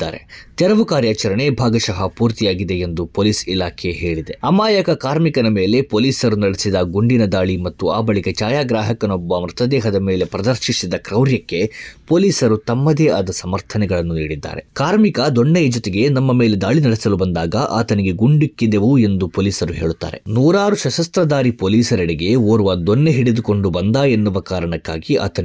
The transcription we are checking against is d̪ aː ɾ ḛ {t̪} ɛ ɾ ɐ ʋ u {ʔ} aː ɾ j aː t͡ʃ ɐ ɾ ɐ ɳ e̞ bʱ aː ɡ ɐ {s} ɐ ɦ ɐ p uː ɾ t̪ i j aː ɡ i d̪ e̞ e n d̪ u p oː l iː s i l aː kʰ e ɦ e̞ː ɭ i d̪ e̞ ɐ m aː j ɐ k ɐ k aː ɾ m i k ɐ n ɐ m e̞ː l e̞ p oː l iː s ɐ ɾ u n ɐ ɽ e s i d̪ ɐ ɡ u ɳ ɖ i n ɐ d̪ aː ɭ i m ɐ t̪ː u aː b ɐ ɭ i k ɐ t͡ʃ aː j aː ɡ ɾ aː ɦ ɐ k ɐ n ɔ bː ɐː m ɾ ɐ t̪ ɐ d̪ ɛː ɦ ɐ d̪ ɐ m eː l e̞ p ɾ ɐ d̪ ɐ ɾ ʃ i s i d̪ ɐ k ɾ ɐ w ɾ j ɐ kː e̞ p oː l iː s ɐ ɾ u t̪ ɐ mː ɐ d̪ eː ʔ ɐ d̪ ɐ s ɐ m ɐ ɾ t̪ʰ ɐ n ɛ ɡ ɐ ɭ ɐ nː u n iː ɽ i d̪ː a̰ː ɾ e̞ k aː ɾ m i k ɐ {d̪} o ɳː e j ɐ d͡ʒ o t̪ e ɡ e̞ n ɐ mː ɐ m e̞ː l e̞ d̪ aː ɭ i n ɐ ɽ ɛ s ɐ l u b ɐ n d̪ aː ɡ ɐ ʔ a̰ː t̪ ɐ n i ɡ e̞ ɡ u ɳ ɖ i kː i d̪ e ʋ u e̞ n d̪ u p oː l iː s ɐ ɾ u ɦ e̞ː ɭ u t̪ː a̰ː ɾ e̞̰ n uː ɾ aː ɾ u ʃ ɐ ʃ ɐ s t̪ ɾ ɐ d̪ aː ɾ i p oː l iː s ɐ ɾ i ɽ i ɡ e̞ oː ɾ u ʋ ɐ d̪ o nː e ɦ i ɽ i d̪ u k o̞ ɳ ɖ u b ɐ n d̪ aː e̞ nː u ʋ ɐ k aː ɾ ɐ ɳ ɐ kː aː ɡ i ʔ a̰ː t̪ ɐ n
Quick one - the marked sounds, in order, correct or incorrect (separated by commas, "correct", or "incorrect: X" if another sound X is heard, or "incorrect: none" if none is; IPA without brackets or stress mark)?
correct, incorrect: k, incorrect: ʃ, correct